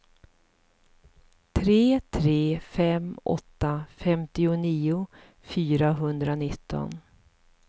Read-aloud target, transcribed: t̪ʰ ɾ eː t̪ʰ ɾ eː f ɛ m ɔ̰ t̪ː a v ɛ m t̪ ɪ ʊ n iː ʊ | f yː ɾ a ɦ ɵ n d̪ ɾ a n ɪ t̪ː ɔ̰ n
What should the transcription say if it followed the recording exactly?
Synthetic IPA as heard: t̪ʰ ɾ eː t̪ʰ ɾ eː f ɛ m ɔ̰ t̪ː a f ɛ m t̪ ɪ ʊ n iː ʊ | f yː ɾ a ɦ ɵ n d̪ ɾ a n ɪ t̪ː ɔ̰ n

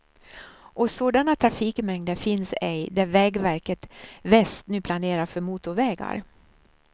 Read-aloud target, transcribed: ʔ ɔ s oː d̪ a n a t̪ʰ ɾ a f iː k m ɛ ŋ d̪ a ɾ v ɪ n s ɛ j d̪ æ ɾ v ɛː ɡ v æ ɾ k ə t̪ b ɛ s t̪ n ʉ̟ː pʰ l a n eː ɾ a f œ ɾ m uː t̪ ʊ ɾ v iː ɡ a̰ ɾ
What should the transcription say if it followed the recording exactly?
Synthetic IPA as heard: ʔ ɔ s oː d̪ a n a t̪ʰ ɾ a f iː k m ɛ ŋ d̪ ə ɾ f ɪ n s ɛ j d̪ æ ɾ v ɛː ɡ v æ ɾ k ə t̪ v ɛ s t̪ n ʉ̟ː pʰ l a n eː ɾ a f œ ɾ m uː t̪ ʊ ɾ v ɛː ɡ a̰ ɾ

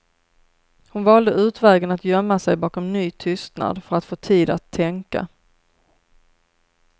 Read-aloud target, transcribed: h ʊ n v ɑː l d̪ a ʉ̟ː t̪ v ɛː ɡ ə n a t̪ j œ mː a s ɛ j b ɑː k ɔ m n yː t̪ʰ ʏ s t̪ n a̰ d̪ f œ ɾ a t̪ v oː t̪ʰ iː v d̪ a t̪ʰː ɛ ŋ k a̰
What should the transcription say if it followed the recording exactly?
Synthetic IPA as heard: h ʊ n v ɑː l d̪ ə ʉ̟ː t̪ v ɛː ɡ ə n a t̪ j œ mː a s ɛ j b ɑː k ɔ m n yː t̪ʰ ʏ s t̪ n a̰ d̪ f œ ɾ a t̪ f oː t̪ʰ iː d̪ a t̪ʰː ɛ ŋ k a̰

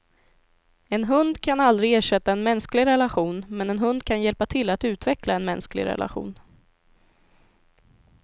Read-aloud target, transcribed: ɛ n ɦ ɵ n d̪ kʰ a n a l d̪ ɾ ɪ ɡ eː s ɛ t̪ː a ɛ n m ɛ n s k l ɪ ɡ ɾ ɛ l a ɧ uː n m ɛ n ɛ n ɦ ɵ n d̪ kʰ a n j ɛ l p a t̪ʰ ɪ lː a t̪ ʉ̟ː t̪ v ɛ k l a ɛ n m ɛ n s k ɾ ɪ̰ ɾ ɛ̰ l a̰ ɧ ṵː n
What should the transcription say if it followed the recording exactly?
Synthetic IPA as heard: ɛ n ɦ ɵ n d̪ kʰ a n a l d̪ ɾ ɪ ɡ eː ʂ ɛ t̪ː a ɛ n m ɛ n s k l ɪ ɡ ɾ ɛ l a ɧ uː n m ɛ n ɛ n ɦ ɵ n d̪ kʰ a n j ɛ l p a t̪ʰ ɪ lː a t̪ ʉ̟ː t̪ v ɛ k l a ɛ n m ɛ n s k l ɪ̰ ɾ ɛ̰ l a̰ ɧ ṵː n

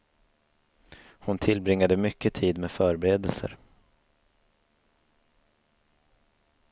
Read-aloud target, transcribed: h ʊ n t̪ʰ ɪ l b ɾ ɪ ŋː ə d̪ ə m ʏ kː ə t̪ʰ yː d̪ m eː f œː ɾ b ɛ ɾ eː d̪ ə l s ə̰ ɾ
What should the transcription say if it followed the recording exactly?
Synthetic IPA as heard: h ʊ n t̪ʰ ɪ l b ɾ ɪ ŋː a d̪ ə m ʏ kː ə t̪ʰ iː d̪ m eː f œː ɾ b ɛ ɾ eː d̪ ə l s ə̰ ɾ

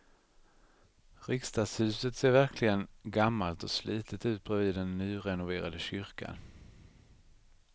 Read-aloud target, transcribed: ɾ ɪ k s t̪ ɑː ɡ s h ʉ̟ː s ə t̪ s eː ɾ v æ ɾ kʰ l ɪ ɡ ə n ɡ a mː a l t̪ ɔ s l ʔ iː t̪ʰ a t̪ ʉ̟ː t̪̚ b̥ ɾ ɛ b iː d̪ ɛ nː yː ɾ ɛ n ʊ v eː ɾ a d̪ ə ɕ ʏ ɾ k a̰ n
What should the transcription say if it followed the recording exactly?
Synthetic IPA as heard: ɾ ɪ k s t̪ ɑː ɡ s h ʉ̟ː s ə t̪ s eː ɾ v æ ɾ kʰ l ɪ ɡ ə n ɡ a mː a l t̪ ɔ s l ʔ iː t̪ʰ ə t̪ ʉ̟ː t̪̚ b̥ ɾ ɛ v iː d̪ ɛ nː yː ɾ ɛ n ʊ v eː ɾ a d̪ ə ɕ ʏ ɾ k a̰ n

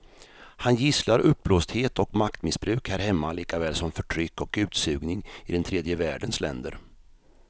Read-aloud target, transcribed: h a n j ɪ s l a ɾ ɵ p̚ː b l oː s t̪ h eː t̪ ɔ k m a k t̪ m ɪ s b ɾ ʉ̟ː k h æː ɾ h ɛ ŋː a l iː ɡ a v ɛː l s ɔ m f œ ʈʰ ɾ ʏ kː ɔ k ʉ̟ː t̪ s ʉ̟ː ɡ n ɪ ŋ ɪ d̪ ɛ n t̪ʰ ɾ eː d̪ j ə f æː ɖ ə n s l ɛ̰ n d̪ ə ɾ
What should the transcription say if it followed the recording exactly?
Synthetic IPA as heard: h a n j ɪ s l a ɾ ɵ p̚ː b l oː s t̪ h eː t̪ ɔ k m a k t̪ m ɪ s b ɾ ʉ̟ː k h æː ɾ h ɛ mː a l iː k a v ɛː l s ɔ m f œ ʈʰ ɾ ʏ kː ɔ k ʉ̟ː t̪ s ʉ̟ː ɡ n ɪ ŋ ɪ d̪ ɛ n t̪ʰ ɾ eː d̪ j ə v æː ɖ ə n s l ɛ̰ n d̪ ə ɾ

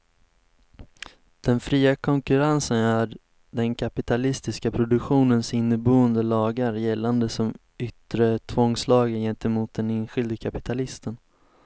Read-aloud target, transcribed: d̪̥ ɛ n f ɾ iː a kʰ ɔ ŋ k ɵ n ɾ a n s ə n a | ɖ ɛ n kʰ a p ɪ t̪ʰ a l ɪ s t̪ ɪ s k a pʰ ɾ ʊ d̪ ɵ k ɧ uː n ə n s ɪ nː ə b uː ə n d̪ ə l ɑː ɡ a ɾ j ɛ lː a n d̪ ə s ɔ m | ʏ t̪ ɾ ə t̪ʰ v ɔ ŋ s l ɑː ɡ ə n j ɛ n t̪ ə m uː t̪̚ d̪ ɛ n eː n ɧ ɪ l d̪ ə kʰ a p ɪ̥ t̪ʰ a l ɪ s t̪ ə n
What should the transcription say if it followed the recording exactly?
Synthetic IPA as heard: d̪̥ ɛ n f ɾ iː a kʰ ɔ ŋ k ɵ ɾ a n s ə n æ | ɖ ɛ n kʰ a p ɪ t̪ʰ a l ɪ s t̪ ɪ s k a pʰ ɾ ʊ d̪ ɵ k ɧ uː n ə n s ɪ nː ə b uː ə n d̪ ə l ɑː ɡ a ɾ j ɛ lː a n d̪ ə s ɔ m | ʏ t̪ ɾ ə t̪ʰ v ɔ ŋ s l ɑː ɡ ə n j ɛ n t̪ ə m uː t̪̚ d̪ ɛ n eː n ɧ ɪ l d̪ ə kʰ a p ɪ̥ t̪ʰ a l ɪ s t̪ ə n

